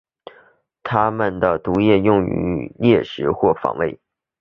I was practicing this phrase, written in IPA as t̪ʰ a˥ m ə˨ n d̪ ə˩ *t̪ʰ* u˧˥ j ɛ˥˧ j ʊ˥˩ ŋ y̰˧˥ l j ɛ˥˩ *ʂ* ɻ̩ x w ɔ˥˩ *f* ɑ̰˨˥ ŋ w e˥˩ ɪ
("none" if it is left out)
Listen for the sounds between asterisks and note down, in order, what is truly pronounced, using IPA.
t̪, ʂ, f

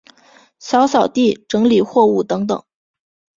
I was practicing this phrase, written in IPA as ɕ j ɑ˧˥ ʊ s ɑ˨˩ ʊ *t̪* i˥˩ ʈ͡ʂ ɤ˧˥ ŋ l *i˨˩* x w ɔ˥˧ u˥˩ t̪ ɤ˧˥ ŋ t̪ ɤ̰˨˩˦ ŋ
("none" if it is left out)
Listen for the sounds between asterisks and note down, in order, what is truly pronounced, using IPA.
t̪, i˨˩

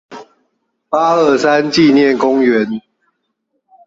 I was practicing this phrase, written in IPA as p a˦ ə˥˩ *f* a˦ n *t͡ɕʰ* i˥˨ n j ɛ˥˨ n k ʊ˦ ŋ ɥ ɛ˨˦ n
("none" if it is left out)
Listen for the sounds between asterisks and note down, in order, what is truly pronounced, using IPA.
s, t͡ɕ

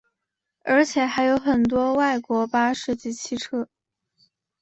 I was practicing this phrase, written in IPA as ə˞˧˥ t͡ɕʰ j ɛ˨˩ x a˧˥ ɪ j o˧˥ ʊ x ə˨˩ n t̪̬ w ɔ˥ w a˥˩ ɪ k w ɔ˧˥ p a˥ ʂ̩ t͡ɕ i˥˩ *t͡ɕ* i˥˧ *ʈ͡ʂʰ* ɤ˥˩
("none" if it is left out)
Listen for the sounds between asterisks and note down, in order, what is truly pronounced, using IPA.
t͡ɕʰ, ʈ͡ʂʰ

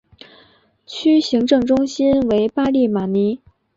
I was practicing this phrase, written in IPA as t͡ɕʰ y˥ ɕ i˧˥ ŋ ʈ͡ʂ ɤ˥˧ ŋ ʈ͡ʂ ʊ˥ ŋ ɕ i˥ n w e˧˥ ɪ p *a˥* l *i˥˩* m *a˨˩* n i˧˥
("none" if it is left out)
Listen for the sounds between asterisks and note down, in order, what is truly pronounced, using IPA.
a˥, i˥˩, a˨˩

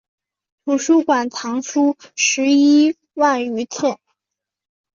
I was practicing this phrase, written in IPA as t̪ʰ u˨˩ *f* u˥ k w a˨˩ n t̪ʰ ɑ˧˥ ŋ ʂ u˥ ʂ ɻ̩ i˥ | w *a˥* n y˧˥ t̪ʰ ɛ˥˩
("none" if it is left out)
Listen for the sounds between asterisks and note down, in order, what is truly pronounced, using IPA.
ʂ, a˥˩

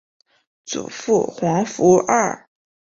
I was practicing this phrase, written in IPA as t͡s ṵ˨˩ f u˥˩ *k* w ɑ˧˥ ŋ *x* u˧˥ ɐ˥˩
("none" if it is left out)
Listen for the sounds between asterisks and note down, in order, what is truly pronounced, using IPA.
x, f

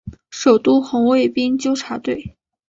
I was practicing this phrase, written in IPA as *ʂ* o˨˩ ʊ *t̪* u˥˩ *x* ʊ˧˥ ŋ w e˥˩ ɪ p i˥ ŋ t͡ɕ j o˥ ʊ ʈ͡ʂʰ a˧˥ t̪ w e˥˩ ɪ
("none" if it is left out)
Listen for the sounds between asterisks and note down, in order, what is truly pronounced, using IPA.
ʂ, t̪, x

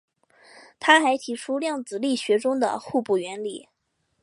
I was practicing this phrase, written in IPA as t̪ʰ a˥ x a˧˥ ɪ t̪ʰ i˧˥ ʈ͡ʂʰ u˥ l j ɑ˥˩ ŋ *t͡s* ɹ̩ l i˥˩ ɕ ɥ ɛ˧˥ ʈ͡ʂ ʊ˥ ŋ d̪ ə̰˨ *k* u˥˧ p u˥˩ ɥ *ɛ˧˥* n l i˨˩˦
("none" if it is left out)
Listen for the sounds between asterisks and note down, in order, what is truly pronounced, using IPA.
t͡s, x, ɛ˧˥

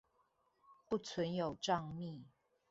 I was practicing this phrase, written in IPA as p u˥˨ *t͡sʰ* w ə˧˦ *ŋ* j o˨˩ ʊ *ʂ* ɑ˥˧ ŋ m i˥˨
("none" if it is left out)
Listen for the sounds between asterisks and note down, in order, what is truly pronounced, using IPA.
t͡sʰ, n, ʈ͡ʂ

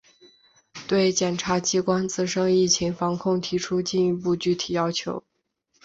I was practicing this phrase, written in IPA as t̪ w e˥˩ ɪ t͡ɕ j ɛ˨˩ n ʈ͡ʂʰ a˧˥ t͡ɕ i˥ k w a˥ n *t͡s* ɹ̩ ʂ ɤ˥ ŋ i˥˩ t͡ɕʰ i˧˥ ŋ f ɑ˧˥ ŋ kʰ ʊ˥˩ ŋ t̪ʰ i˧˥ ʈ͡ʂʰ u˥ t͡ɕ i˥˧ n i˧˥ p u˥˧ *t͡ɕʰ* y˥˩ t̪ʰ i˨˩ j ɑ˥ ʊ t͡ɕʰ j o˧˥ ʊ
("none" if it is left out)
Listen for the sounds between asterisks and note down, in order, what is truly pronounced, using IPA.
t͡s, t͡ɕ

